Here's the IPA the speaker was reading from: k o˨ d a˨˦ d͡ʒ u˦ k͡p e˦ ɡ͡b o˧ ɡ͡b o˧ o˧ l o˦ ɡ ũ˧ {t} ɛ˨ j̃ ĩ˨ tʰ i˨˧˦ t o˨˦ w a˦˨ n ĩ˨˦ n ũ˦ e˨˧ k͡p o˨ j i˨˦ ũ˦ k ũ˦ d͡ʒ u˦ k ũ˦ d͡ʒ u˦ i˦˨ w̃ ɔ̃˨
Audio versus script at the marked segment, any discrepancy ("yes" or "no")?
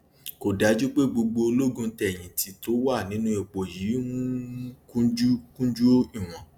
no